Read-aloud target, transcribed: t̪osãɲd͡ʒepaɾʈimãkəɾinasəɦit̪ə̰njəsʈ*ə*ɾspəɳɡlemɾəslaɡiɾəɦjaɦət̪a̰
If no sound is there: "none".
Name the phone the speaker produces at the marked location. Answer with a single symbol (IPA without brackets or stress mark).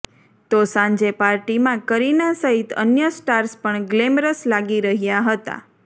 a